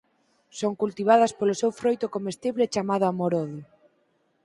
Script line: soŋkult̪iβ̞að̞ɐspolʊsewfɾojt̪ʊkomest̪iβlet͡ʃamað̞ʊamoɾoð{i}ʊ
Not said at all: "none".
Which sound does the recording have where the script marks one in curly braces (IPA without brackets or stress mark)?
j